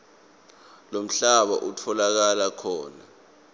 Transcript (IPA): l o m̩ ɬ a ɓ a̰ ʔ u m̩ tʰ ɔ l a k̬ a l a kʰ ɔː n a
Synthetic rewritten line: l o m̩ ɬ a ɓ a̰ ʔ u tʰ ɔ l a k̬ a l a kʰ ɔː n a